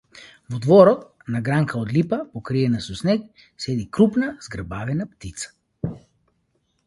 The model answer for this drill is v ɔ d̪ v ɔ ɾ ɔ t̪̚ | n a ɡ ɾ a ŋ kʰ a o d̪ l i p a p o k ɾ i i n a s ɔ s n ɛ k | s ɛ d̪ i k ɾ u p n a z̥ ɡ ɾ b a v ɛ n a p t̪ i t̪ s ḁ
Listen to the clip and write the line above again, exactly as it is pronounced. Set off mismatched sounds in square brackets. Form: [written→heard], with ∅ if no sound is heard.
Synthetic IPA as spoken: v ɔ d̪ v ɔ ɾ ɔ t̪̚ | n a ɡ ɾ a ŋ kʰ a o d̪ l i p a p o k ɾ i [i→ɛ] n a s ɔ s n ɛ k | s ɛ d̪ i k ɾ u p n a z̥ ɡ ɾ b a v ɛ n a p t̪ i t̪ s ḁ